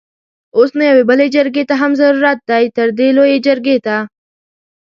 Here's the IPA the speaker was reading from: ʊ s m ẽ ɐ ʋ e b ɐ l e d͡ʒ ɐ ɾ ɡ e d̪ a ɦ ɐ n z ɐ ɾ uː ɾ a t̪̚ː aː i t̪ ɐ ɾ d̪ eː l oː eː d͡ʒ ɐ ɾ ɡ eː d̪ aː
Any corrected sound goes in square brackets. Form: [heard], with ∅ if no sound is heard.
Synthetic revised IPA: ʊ s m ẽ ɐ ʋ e b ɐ l e d͡ʒ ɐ ɾ ɡ e [t̪] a ɦ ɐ [m] z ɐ ɾ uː ɾ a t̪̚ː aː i t̪ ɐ ɾ d̪ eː l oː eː d͡ʒ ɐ ɾ ɡ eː [t̪] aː